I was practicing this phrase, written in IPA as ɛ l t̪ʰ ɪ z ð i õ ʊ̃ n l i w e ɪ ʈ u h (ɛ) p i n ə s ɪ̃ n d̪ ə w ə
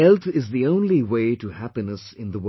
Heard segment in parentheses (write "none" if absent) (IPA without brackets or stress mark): æ